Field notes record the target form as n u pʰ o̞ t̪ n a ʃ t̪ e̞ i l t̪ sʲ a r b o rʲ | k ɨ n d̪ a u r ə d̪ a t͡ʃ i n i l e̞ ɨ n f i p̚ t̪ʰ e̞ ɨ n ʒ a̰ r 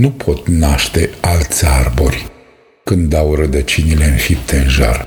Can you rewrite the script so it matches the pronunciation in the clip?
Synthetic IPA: n u pʰ o̞ t̪ n a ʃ t̪ e̞ a l t̪ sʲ a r b o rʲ | k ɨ n d̪ a w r ə d̪ ə t͡ʃ i n i l e̞ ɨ n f i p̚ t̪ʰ e̞ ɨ n ʒ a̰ r